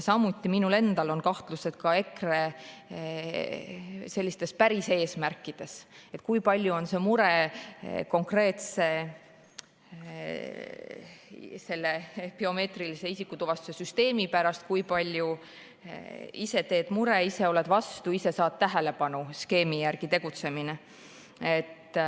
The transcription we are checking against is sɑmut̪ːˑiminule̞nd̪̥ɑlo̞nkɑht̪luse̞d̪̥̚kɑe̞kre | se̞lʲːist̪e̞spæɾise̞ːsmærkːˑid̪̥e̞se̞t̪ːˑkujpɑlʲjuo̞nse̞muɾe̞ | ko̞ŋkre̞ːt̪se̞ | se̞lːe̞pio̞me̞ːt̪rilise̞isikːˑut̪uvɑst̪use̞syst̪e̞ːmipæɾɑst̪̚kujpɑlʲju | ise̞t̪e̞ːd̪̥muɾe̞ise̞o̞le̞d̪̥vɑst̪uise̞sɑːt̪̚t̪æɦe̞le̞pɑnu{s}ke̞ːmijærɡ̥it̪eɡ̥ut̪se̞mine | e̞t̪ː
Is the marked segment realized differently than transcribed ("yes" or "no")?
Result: no